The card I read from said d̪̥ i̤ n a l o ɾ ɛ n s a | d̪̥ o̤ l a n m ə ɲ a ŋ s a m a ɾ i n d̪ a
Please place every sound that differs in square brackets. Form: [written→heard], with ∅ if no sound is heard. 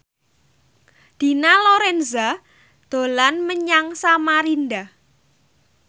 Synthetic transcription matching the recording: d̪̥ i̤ n a l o ɾ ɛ n [s→z] a | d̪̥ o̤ l a n m ə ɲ a ŋ s a m a ɾ i n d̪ a